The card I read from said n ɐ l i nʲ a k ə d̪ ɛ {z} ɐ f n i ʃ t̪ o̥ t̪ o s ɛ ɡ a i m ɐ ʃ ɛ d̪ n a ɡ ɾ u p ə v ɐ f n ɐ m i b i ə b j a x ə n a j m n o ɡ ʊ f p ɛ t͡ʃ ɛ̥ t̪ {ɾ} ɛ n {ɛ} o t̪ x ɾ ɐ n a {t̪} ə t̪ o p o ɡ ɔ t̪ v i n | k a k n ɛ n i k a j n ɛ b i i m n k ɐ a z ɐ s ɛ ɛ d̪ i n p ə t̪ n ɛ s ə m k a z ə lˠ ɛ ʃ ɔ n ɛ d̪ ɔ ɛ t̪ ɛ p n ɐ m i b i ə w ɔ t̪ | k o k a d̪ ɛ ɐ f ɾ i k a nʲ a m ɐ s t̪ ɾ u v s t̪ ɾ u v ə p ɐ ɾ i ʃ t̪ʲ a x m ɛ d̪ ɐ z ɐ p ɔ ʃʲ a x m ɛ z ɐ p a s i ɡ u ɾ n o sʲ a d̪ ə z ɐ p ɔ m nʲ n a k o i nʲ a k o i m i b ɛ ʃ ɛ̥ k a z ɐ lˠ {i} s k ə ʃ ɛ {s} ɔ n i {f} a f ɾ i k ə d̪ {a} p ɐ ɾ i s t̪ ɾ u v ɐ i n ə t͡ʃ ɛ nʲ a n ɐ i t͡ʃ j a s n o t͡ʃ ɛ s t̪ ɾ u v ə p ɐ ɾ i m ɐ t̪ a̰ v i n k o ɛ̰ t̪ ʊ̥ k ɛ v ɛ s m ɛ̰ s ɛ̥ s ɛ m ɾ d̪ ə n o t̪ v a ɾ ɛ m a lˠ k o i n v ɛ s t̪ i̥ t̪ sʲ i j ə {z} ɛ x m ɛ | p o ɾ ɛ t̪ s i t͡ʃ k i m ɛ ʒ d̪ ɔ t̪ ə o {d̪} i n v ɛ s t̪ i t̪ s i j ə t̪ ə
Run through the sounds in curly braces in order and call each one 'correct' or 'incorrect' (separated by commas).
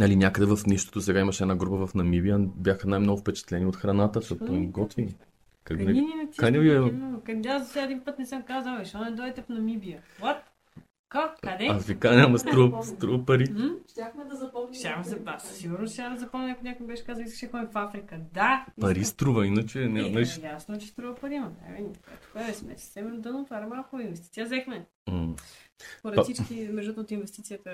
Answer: incorrect, incorrect, incorrect, correct, correct, incorrect, correct, correct, correct, incorrect